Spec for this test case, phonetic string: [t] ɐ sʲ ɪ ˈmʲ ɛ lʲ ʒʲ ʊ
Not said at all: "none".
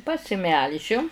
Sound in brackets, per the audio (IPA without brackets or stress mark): p